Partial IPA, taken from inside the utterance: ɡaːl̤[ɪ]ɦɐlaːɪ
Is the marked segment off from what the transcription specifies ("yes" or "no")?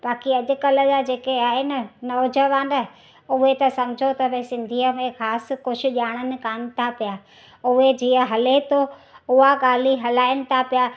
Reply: yes